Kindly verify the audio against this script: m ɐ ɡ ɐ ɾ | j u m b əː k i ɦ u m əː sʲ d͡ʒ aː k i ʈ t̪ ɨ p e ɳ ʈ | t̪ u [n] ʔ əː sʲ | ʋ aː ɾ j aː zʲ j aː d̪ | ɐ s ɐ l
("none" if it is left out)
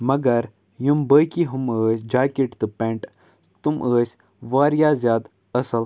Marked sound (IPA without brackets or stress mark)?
m